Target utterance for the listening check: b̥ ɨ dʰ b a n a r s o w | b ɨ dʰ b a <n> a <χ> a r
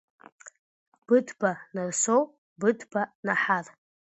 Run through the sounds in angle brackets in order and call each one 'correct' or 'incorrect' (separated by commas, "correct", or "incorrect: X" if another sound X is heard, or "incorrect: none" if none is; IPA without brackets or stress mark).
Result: correct, incorrect: ħ